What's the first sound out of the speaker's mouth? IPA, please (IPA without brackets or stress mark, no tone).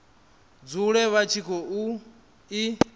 d͡z